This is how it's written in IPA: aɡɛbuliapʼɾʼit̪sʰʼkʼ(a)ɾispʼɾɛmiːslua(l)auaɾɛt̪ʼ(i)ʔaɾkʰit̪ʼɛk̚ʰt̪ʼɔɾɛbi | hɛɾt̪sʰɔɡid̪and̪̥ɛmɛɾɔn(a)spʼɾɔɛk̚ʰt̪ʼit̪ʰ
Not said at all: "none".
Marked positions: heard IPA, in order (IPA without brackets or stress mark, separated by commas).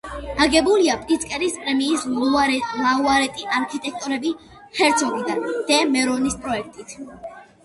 ɛ, l, i, i